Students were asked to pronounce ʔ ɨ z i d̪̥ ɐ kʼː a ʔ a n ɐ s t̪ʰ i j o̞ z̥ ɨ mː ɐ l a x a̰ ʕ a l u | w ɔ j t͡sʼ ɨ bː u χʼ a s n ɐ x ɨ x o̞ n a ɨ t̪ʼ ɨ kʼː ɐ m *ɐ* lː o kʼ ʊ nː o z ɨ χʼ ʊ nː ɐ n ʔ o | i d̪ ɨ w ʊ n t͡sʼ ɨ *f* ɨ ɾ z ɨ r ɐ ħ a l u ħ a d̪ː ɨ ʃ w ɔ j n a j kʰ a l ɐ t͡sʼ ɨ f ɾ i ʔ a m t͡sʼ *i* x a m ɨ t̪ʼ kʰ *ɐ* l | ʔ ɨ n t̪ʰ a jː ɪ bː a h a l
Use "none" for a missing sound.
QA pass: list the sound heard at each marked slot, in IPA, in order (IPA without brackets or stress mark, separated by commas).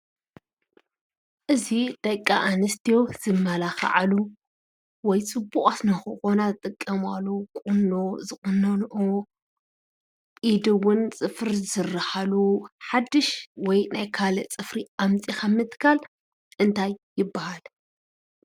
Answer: a, f, i, a